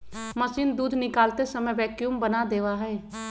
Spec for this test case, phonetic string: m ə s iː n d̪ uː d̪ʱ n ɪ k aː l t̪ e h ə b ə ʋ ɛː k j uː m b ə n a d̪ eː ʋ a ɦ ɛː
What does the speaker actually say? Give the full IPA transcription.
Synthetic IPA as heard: m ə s iː n d̪ uː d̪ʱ n ɪ k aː l t̪ e s ə m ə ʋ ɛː k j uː m b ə n a d̪ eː ʋ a ɦ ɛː

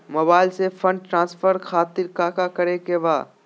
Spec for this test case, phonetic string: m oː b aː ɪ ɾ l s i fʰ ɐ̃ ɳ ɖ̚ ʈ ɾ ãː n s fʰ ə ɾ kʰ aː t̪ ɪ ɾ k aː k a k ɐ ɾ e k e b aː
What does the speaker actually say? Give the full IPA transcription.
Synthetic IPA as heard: m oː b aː ɪ l s e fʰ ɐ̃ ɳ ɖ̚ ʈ ɾ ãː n s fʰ ə ɾ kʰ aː t̪ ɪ ɾ k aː k a k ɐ ɾ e k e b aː

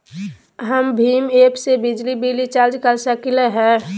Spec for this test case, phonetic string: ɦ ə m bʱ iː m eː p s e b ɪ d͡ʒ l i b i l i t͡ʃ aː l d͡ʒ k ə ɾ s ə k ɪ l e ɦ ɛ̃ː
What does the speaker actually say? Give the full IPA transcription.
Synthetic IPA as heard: ɦ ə m bʱ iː m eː p s e b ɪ d͡ʒ l i b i l i t͡ʃ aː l d͡ʒ k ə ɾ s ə k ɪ l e ɦ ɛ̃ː

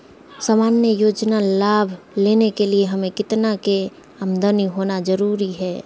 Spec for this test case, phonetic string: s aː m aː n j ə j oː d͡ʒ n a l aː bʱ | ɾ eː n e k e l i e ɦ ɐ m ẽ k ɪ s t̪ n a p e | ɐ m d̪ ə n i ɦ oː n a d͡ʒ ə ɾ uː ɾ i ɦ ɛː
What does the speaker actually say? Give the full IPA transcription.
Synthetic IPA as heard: s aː m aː n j ə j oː d͡ʒ n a l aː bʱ | l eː n e k e l i e ɦ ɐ m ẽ k ɪ t̪ n a k e | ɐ m d̪ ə n i ɦ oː n a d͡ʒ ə ɾ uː ɾ i ɦ ɛː

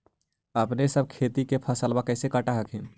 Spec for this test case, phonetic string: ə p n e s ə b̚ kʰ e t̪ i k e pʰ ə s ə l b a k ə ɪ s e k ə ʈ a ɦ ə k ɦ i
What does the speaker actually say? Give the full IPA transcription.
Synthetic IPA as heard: ə p n e s ə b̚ kʰ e t̪ i k e pʰ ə s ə l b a k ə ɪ s e k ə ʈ a ɦ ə k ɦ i

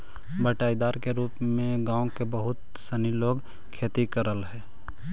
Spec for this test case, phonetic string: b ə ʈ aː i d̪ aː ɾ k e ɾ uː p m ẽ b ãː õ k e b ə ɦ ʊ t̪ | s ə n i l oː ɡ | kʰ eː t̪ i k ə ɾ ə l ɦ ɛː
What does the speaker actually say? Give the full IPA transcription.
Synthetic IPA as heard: b ə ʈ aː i d̪ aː ɾ k e ɾ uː p m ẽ ɡ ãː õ k e b ə ɦ ʊ t̪ | s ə n i l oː ɡ | kʰ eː t̪ i k ə ɾ ə l ɦ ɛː

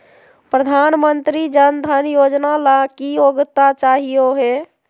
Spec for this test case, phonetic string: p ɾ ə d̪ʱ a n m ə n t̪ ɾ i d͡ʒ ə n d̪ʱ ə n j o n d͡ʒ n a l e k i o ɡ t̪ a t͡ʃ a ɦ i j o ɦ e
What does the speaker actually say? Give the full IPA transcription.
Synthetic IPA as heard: p ɾ ə d̪ʱ a n m ə n t̪ ɾ i d͡ʒ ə n d̪ʱ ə n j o d͡ʒ n a l a k i o ɡ t̪ a t͡ʃ a ɦ i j o ɦ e

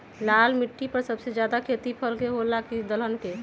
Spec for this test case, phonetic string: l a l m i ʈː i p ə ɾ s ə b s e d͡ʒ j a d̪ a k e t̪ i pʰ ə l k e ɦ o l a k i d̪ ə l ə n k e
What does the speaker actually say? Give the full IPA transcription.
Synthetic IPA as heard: l a l m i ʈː i p ə ɾ s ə b s e d͡ʒ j a d̪ a kʰ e t̪ i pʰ ə l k e ɦ o l a k i d̪ ə l ə n k e

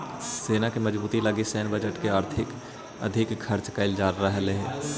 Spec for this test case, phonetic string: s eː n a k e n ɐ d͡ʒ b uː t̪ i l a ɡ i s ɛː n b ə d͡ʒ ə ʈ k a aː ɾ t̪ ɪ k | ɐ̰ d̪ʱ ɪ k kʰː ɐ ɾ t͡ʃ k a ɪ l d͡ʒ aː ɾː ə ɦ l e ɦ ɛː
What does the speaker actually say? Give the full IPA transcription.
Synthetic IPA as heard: s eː n a k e m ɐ d͡ʒ b uː t̪ i l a ɡ i s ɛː n b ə d͡ʒ ə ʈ k e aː ɾ t̪ʰ ɪ k | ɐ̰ d̪ʱ ɪ k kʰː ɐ ɾ t͡ʃ k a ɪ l d͡ʒ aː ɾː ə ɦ l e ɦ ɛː

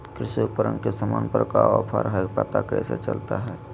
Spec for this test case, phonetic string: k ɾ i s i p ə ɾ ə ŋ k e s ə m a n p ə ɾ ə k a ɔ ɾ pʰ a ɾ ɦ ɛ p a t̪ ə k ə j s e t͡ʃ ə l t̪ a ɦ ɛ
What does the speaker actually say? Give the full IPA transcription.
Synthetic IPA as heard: k ɾ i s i p ə ɾ ə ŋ k e s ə m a n p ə ɾ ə k a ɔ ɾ pʰ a ɾ ɦ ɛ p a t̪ a k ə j s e t͡ʃ ə l t̪ a ɦ ɛ

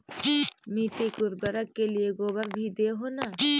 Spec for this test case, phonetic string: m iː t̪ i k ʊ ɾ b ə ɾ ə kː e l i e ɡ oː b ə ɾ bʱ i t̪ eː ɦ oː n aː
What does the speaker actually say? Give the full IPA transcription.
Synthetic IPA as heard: m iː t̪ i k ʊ ɾ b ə ɾ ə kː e l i e ɡ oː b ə ɾ bʱ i d̪ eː ɦ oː n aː

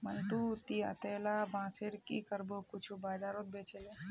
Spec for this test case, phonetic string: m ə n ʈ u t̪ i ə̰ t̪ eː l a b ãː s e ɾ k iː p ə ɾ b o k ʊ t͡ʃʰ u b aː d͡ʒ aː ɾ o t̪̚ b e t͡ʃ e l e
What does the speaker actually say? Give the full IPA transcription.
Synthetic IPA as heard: m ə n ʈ u t̪ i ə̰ t̪ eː l a b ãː s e ɾ k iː k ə ɾ b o k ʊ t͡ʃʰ u b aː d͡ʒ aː ɾ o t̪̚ b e t͡ʃ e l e

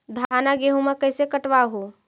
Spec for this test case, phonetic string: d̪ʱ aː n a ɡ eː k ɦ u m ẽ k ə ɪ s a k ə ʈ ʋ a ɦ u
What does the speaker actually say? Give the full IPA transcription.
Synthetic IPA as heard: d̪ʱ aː n a ɡ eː ɦ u m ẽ k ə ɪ s e k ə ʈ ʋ a ɦ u

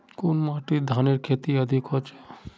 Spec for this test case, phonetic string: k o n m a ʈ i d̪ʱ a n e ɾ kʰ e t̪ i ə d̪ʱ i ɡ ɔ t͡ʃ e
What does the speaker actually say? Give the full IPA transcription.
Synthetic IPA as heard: k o n m a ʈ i d̪ʱ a n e ɾ kʰ e t̪ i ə d̪ʱ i k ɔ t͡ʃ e

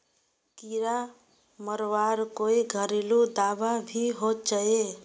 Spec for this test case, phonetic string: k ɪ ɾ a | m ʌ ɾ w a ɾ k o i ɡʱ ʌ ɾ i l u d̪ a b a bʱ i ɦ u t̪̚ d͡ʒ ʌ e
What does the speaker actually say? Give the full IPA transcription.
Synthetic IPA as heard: k i ɾ a | m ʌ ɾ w a ɾ k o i ɡʱ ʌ ɾ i l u d̪ a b a bʱ i ɦ o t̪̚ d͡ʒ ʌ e

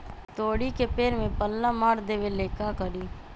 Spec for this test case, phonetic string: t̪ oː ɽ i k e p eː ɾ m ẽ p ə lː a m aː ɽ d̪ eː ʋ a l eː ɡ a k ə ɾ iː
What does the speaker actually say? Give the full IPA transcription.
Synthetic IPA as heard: t̪ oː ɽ i k e p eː ɾ m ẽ p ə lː a m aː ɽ d̪ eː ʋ e l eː k a k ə ɾ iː

